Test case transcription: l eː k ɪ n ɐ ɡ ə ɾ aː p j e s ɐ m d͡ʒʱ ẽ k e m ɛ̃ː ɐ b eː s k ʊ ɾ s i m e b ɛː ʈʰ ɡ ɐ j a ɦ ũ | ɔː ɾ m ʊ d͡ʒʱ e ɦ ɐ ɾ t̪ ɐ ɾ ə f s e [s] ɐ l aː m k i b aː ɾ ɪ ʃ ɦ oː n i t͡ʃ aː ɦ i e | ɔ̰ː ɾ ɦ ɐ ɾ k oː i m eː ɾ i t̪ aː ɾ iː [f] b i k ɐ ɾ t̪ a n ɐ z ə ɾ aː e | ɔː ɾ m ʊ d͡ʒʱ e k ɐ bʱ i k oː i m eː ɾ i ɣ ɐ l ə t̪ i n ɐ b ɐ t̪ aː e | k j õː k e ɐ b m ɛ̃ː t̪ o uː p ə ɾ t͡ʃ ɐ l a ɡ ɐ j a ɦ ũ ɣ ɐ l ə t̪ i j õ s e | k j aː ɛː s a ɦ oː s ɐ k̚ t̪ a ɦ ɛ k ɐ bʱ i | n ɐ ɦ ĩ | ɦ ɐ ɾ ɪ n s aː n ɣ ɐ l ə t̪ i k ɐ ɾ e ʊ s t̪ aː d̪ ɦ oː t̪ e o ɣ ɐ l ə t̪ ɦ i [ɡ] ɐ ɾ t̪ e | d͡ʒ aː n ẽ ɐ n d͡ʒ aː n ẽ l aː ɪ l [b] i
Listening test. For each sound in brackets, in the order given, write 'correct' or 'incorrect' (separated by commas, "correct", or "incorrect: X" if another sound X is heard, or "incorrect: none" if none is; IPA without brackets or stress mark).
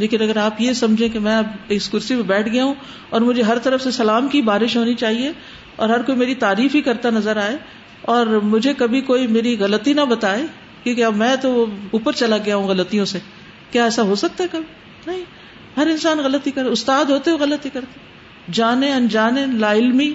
correct, correct, incorrect: k, incorrect: m